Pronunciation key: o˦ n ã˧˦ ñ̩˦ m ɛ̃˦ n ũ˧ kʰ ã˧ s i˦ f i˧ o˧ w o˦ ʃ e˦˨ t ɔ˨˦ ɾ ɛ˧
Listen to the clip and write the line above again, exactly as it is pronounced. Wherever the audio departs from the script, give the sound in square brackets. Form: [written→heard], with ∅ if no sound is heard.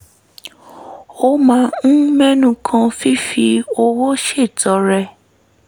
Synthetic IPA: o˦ [n→m] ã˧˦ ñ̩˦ m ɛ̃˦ n ũ˧ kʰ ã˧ [s→f] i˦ f i˧ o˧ w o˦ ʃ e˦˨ t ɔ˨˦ ɾ ɛ˧

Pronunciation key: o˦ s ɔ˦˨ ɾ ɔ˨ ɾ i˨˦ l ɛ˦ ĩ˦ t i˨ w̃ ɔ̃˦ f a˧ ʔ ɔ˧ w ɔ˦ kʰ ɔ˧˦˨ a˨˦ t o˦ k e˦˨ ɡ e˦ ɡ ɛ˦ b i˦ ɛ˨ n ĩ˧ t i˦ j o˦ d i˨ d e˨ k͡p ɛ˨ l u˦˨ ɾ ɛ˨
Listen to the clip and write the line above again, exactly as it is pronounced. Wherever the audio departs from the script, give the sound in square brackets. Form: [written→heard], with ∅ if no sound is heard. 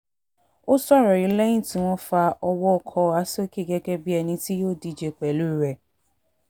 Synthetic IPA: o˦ s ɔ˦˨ ɾ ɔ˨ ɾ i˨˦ l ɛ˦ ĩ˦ t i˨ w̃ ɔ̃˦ f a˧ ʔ ɔ˧ w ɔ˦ kʰ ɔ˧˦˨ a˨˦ [t→s] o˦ k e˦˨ ɡ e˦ ɡ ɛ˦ b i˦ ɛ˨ n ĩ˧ t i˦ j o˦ d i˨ [d→d͡ʒ] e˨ k͡p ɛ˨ l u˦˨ ɾ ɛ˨

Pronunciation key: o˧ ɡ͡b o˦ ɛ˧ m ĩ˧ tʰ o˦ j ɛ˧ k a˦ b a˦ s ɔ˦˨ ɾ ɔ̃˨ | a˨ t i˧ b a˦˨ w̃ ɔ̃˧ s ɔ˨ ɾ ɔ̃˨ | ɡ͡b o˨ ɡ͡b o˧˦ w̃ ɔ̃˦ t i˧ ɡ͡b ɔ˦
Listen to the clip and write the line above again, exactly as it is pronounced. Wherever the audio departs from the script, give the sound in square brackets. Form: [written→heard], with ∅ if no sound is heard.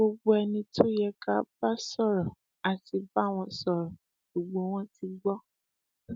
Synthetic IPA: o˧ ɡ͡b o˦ ɛ˧ [m→n] ĩ˧ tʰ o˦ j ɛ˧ k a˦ b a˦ s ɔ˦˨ ɾ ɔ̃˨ | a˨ t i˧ b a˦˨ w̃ ɔ̃˧ s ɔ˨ ɾ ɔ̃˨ | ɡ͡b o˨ ɡ͡b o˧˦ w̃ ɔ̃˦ t i˧ ɡ͡b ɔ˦

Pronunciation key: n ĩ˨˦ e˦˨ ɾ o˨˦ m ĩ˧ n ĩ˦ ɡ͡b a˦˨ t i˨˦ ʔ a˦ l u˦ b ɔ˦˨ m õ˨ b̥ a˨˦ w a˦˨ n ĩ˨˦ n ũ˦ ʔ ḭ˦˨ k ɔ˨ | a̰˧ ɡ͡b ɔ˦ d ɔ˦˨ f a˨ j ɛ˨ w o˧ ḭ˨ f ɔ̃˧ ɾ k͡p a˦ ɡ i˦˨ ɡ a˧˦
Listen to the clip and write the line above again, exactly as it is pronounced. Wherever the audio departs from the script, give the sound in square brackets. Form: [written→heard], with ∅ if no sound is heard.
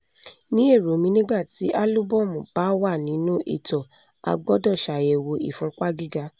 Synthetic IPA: n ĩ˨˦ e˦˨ ɾ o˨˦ m ĩ˧ n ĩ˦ ɡ͡b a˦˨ t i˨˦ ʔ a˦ l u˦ b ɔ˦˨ m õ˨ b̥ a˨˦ w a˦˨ n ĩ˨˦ n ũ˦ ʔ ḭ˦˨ [k→t] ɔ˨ | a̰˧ ɡ͡b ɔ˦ d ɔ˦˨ [f→ʃ] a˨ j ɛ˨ w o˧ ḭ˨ f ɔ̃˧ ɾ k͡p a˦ ɡ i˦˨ ɡ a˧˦

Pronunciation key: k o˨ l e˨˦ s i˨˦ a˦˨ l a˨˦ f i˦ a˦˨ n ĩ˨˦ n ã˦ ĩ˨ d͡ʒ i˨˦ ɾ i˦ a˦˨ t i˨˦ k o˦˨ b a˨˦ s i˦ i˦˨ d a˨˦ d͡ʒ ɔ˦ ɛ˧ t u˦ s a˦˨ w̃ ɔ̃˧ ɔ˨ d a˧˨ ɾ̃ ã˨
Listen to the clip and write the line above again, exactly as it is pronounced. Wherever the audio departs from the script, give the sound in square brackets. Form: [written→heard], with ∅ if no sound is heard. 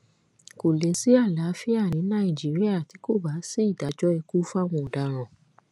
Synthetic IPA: k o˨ l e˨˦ s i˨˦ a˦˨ l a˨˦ f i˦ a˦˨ n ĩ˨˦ n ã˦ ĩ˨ d͡ʒ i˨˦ ɾ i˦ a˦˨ t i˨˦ k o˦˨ b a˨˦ s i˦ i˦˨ d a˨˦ d͡ʒ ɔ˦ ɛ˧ [t→k] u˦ [s→f] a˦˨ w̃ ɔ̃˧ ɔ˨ d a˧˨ ɾ̃ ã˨

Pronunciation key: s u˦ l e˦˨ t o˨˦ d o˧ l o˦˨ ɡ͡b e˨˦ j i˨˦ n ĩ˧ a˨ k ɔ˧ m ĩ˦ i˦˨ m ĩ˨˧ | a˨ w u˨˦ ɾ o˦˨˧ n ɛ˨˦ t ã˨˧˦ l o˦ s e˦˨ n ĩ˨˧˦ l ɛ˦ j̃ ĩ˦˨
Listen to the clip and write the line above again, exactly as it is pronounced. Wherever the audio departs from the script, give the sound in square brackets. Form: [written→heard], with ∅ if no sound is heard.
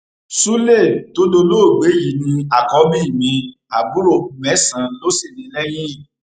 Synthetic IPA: s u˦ l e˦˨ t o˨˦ d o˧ l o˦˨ ɡ͡b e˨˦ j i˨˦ n ĩ˧ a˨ k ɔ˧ m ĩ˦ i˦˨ m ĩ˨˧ | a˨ [w→b] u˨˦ ɾ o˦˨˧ [n→m] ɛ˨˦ [t→s] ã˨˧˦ l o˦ s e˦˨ n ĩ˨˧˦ l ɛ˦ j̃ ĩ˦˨

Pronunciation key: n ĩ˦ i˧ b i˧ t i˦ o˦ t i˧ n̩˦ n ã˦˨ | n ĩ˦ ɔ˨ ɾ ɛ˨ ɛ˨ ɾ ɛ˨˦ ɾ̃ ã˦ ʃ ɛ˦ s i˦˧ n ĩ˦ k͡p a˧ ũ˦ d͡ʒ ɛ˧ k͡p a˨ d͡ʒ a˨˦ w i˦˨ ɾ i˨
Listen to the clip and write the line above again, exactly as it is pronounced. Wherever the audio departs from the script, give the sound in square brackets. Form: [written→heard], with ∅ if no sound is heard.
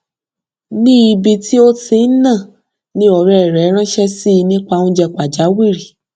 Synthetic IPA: n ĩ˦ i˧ b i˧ t i˦ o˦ t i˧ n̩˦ n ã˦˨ | n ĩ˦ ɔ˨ ɾ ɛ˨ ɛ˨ ɾ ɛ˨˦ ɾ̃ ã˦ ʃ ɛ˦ s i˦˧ n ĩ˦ k͡p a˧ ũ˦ d͡ʒ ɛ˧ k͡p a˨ d͡ʒ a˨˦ w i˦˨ ɾ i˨

